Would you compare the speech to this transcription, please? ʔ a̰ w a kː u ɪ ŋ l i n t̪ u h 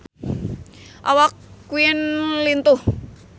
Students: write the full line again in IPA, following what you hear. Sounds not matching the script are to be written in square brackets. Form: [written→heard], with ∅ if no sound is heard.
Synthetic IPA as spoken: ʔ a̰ w a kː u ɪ [ŋ→n] l i n t̪ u h